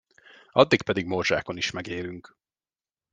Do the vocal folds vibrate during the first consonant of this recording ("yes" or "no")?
yes